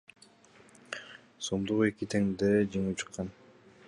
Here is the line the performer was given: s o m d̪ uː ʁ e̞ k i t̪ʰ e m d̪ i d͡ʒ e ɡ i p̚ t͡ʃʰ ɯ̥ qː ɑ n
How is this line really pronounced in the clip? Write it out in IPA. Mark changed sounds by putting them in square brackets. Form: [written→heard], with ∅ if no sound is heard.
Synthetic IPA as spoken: s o m d̪ [uː→u] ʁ e̞ k i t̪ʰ e [m→ŋ] d̪ [i→e] d͡ʒ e [ɡ→ŋ] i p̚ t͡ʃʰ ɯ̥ qː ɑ n